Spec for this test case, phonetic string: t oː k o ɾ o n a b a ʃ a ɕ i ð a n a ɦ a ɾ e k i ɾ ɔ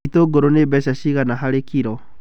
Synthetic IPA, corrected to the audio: t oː ɡ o ɾ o n e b ɛ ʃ a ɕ i ɣ a n a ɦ a ɾ e k i ɾ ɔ